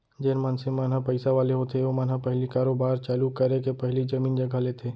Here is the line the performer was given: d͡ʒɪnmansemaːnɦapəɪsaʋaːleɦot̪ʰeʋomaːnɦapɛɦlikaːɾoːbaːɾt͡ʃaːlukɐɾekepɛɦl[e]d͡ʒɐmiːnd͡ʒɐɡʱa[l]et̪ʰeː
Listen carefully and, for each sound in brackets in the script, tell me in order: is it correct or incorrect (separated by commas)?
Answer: incorrect, correct